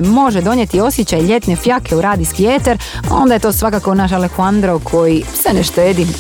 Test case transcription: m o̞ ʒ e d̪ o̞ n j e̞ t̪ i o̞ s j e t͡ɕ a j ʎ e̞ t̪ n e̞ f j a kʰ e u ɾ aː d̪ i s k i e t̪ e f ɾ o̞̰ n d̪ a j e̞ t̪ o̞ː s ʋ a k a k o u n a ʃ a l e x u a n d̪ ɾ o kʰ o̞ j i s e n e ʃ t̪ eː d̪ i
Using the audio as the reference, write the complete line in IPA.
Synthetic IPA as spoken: m o̞ ʒ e d̪ o̞ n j e̞ t̪ i o̞ s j e t͡ɕ a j ʎ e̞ t̪ n e̞ f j a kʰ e u ɾ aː d̪ i s k i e t̪ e ɾ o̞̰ n d̪ a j e̞ t̪ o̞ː s ʋ a k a k o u n a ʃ a l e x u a n d̪ ɾ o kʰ o̞ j i s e n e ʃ t̪ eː d̪ i